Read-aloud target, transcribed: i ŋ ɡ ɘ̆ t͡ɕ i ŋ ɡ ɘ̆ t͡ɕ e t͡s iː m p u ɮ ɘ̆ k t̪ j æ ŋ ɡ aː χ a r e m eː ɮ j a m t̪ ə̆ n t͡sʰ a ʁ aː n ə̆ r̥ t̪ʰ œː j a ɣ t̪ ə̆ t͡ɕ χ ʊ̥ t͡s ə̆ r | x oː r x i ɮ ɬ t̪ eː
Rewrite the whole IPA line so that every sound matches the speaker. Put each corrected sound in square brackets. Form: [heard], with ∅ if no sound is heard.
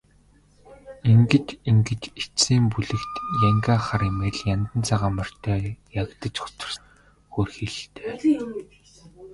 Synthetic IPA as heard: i ŋ ɡ ɘ̆ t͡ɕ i ŋ ɡ ɘ̆ t͡ɕ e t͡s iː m p u ɮ ɘ̆ k t̪ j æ ŋ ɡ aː χ a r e m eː ɮ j a [n] t̪ ə̆ n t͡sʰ a ʁ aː [m] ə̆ r̥ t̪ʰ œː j a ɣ t̪ ə̆ t͡ɕ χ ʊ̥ t͡s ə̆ r | x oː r x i ɮ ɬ t̪ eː